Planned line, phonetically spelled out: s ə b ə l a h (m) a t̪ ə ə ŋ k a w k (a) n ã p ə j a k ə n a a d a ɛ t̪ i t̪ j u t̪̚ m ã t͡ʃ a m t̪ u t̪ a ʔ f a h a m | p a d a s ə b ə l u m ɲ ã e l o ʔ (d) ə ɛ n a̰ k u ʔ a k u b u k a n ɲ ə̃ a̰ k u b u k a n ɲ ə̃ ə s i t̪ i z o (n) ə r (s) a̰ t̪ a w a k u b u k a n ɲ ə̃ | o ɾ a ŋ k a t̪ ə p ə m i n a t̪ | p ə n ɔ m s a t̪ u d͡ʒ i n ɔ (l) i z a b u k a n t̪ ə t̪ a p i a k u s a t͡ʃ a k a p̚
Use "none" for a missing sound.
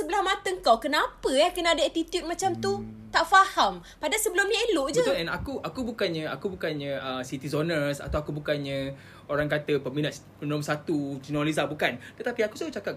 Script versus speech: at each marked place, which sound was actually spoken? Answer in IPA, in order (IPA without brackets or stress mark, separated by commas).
m, ə, d͡ʒ, n, s, l